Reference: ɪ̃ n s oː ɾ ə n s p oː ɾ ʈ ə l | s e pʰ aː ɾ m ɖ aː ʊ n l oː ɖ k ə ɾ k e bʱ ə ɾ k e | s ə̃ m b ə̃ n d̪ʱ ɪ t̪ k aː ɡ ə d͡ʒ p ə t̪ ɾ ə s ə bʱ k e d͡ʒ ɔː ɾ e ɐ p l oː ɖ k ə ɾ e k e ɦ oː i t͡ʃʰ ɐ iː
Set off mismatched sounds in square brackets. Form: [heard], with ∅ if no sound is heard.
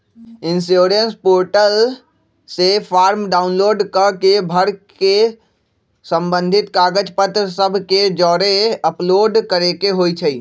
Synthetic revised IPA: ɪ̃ n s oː ɾ ə n s p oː ɾ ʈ ə l | s e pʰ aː ɾ m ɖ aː ʊ n l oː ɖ k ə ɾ k e bʱ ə ɾ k e | s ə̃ m b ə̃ n d̪ʱ ɪ t̪ k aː ɡ ə d͡ʒ p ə t̪ ɾ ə s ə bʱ k e d͡ʒ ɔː ɾ e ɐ p l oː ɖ k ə ɾ e k e ɦ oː i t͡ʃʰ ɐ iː